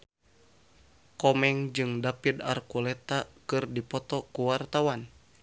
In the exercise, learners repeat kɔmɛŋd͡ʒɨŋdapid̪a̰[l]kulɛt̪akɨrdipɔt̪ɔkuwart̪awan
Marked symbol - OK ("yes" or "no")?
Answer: no